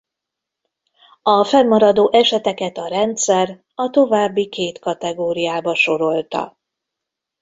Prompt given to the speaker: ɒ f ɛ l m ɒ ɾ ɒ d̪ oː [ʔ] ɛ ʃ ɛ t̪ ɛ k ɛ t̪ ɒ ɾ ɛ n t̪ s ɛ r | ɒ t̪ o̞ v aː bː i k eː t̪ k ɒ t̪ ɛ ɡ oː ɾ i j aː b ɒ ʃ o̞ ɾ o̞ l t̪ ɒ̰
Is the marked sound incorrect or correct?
correct